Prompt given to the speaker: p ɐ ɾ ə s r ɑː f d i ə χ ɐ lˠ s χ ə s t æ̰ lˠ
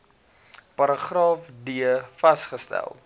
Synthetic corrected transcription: p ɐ ɾ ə χ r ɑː f d i ə f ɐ s χ ə s t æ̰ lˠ

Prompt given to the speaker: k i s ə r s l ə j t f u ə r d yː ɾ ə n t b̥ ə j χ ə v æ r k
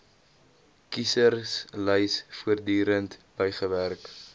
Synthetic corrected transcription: k i s ə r s l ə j s f u ə r d yː ɾ ə n t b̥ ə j χ ə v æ r k

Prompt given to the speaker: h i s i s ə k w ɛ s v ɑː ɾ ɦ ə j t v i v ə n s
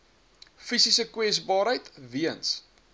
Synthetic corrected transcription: f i s i s ə k w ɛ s b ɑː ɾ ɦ ə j t v i ə n s

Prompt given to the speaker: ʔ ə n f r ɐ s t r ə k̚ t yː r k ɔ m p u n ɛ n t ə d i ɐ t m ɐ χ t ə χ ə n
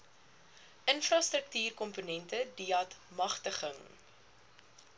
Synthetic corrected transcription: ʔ ə n f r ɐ s t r ə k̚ t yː r k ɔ m p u n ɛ n t ə d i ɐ t m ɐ χ t ə χ ə ŋ

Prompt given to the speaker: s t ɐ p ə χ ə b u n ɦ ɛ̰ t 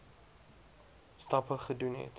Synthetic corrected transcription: s t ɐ p ə χ ə d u n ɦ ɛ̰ t

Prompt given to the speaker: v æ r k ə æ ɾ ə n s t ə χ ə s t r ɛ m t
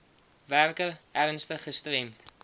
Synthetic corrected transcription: v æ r k ə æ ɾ ə n s t ə χ ə s t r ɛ m t

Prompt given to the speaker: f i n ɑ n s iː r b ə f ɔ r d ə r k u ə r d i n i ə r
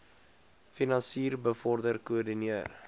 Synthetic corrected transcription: f i n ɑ n s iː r b ə f ɔ r d ə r k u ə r d i n i ə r

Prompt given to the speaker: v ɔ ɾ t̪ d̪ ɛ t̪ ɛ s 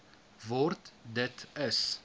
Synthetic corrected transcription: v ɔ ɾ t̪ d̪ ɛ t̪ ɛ s

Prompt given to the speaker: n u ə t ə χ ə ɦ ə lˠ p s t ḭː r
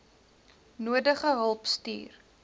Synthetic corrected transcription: n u ə d ə χ ə ɦ ə lˠ p s t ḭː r

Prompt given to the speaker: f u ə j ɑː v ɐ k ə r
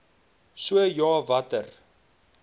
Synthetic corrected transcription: s u ə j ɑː v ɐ t ə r

